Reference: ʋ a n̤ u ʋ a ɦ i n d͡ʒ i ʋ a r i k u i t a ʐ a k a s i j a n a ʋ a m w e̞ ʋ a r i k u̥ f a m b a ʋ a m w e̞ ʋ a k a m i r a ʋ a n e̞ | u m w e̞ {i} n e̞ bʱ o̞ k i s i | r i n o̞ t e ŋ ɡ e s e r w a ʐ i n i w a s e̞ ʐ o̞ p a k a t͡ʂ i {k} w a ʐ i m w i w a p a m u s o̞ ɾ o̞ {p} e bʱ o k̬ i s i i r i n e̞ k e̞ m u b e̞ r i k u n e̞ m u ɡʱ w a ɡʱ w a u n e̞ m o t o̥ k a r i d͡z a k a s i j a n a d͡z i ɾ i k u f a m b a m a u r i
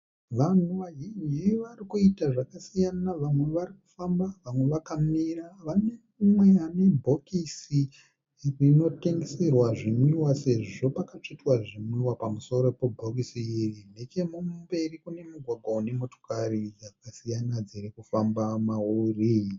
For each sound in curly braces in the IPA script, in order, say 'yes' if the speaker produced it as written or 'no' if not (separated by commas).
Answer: no, no, yes